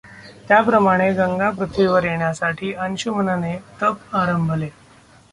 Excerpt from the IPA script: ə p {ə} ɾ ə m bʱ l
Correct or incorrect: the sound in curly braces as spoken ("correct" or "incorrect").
incorrect